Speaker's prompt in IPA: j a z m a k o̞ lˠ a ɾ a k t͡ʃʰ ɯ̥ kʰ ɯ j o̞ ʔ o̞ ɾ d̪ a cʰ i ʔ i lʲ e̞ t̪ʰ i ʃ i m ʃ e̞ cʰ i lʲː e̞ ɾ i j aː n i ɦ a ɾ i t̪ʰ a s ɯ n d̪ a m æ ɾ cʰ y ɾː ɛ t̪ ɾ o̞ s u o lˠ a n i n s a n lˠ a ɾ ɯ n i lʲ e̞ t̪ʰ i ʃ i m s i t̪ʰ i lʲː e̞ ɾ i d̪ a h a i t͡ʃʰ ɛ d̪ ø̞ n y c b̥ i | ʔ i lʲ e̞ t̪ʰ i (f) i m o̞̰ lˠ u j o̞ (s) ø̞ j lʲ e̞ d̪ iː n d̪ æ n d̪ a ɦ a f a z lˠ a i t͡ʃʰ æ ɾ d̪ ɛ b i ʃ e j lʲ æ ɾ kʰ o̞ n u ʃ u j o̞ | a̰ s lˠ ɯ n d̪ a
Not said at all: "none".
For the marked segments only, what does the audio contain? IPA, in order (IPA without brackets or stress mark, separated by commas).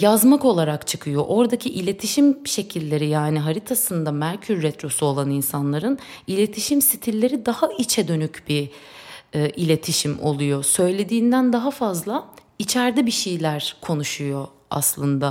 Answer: ʃ, s